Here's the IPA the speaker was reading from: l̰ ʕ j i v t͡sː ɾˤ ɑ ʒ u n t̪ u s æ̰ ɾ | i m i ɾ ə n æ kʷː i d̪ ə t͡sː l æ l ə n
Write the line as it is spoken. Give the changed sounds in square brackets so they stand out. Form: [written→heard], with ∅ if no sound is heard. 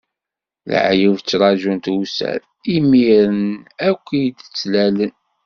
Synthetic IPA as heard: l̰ ʕ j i v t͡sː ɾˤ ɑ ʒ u n t̪ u s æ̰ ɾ | i m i ɾ ə n æ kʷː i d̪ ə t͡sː l æ l ə n